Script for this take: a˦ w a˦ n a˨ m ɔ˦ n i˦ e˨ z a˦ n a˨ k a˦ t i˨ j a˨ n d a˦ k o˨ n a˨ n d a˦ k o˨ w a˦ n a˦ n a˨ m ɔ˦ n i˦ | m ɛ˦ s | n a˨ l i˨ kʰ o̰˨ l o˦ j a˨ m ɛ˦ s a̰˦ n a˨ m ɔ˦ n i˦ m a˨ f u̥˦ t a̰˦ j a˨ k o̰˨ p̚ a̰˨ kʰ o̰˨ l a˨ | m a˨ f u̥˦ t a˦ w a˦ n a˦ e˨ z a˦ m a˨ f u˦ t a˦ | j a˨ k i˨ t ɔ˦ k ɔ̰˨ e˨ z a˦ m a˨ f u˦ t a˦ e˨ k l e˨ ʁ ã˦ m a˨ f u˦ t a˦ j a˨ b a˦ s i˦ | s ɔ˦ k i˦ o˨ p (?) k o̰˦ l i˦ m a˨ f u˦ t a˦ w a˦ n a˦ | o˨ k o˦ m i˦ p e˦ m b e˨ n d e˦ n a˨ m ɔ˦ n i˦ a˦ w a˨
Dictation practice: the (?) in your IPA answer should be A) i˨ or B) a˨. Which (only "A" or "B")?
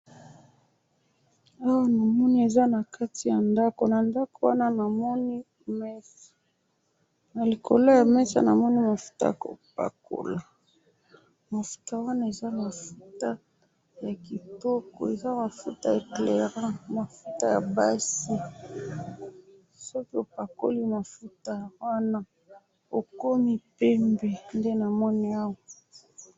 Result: B